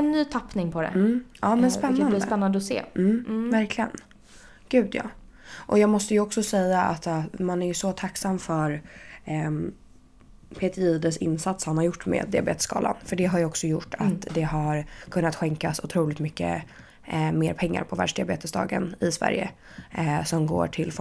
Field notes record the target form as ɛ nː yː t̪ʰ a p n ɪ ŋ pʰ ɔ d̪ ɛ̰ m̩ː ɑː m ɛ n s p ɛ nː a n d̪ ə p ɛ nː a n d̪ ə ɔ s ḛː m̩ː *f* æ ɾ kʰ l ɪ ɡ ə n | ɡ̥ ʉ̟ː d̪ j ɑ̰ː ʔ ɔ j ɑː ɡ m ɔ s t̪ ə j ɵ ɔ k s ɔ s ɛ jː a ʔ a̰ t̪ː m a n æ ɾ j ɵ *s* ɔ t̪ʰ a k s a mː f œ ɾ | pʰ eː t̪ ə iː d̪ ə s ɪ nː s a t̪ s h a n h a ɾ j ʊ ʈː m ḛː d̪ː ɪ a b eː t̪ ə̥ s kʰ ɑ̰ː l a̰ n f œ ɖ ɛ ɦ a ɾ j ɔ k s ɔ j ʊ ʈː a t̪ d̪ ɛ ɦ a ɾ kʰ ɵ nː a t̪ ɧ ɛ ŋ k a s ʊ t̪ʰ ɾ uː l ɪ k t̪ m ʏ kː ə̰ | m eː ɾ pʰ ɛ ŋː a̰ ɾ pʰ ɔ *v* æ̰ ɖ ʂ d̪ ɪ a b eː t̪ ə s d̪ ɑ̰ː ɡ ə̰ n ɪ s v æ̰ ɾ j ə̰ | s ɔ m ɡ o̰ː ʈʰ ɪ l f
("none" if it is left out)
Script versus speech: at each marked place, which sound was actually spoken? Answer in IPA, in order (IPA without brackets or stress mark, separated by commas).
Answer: v, s, v